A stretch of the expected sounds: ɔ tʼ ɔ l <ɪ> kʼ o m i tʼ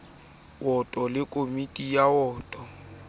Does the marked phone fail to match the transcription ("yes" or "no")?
no